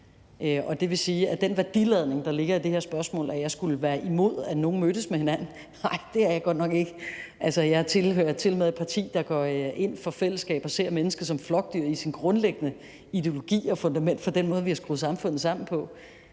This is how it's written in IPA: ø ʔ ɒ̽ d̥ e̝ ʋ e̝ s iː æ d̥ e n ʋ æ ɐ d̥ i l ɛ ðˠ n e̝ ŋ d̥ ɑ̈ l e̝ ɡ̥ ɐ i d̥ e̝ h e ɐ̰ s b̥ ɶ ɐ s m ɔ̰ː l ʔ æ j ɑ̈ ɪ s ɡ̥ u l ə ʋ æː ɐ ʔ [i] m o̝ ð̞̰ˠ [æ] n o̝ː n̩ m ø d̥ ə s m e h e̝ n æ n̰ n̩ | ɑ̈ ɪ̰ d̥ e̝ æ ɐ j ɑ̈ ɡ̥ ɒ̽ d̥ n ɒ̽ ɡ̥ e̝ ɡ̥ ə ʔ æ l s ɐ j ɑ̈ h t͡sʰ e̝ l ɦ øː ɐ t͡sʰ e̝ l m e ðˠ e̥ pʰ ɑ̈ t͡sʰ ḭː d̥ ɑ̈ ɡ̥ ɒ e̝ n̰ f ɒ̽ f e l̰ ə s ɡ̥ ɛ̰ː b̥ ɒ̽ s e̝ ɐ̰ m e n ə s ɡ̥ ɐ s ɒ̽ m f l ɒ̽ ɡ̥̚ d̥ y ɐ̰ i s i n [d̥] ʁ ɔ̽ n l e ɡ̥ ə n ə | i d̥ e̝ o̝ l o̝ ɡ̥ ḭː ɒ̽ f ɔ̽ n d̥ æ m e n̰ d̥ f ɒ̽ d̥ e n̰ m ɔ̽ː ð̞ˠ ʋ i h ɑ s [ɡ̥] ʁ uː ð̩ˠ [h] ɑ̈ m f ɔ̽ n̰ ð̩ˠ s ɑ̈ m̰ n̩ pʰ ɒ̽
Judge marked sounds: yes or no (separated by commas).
yes, yes, no, yes, no